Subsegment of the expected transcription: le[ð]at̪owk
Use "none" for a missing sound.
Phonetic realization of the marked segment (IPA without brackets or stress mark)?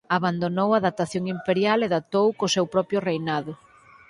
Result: ð